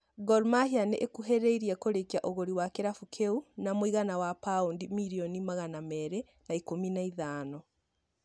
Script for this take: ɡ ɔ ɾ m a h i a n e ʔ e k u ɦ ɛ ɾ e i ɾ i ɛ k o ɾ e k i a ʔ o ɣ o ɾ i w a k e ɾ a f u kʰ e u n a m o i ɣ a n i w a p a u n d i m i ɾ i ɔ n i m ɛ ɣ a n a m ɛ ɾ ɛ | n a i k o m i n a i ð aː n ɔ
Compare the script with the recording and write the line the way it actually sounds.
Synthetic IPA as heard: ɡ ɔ ɾ m a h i a n e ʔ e k u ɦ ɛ ɾ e i ɾ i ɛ k o ɾ e k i a ʔ o ɣ o ɾ i w a k e ɾ a f u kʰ e u n a m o i ɣ a n a w a p a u n d i m i ɾ i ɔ n i m a ɣ a n a m ɛ ɾ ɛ | n a i k o m i n a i ð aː n ɔ